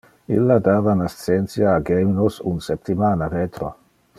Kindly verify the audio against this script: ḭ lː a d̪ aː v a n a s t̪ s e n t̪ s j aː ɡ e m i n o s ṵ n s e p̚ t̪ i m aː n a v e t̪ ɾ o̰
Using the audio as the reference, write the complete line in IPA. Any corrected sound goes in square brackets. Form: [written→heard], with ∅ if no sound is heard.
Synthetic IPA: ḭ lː a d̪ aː v a n a s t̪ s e n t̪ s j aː ɡ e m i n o s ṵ n s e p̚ t̪ i m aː n a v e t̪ ɾ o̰